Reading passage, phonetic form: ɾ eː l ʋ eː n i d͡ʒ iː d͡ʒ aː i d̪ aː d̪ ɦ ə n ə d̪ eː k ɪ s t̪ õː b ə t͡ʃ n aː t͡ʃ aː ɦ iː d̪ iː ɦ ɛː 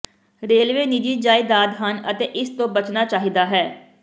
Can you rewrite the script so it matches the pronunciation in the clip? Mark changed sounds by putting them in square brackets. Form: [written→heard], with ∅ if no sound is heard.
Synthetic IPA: ɾ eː l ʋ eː n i d͡ʒ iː d͡ʒ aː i d̪ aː d̪ ɦ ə n ə [d̪→t̪] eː [k→ʔ] ɪ s t̪ õː b ə t͡ʃ n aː t͡ʃ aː ɦ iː d̪ [iː→aː] ɦ ɛː